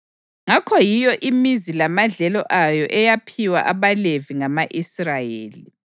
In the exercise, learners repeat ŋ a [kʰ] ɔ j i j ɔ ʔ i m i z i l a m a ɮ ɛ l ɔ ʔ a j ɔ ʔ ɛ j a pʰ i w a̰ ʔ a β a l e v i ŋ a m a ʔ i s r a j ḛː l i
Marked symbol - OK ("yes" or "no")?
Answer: yes